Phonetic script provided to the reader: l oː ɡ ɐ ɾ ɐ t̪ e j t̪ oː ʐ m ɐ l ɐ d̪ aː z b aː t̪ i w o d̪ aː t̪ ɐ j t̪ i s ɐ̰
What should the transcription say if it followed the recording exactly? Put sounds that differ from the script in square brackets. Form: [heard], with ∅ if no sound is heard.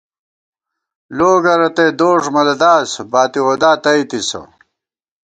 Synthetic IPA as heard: l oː ɡ ɐ ɾ ɐ t̪ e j [d̪] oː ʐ m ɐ l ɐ d̪ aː [s] b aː t̪ i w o d̪ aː t̪ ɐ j t̪ i s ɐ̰

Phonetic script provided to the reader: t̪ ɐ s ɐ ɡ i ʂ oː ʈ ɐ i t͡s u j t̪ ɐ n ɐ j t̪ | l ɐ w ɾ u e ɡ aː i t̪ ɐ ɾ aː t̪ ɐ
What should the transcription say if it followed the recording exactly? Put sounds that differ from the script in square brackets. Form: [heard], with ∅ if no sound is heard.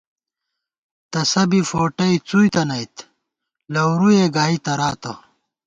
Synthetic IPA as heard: t̪ ɐ s ɐ [b] i [f] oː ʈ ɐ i t͡s u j t̪ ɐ n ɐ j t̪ | l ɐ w ɾ u e ɡ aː i t̪ ɐ ɾ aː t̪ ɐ

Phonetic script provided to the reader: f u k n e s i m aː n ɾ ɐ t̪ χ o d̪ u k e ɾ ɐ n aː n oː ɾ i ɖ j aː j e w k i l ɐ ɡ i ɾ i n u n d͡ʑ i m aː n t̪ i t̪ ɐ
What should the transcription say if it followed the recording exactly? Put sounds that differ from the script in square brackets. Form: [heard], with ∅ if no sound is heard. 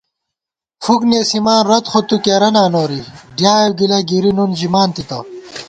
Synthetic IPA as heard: f u k n e s i m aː n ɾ ɐ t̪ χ o [t̪] u k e ɾ ɐ n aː n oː ɾ i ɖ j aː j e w [ɡ] i l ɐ ɡ i ɾ i n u n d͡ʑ i m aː n t̪ i t̪ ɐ

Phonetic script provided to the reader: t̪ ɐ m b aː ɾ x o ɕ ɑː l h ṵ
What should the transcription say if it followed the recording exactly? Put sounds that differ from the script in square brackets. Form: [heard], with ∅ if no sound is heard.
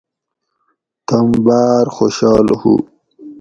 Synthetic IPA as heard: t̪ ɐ m b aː ɾ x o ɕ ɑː l h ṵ

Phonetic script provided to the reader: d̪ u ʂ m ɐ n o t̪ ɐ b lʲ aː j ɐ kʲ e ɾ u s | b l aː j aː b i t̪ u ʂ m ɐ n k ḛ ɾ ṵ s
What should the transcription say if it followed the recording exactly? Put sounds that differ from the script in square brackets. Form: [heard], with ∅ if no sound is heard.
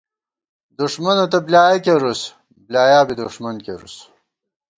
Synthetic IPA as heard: d̪ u ʂ m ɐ n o t̪ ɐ b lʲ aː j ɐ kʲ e ɾ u s | b l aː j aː b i [d̪] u ʂ m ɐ n k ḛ ɾ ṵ s

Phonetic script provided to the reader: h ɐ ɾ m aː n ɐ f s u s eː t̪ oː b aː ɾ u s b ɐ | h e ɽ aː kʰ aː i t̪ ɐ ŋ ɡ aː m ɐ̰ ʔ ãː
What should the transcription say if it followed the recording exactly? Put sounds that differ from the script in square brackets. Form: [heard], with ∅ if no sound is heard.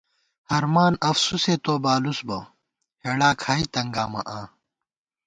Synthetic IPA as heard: h ɐ ɾ m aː n ɐ f s u s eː t̪ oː b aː [l] u s b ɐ | h e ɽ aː kʰ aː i t̪ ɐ ŋ ɡ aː m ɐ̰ ʔ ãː

